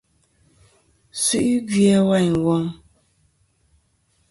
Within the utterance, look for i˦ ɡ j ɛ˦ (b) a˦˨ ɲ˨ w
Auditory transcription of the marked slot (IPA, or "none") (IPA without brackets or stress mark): w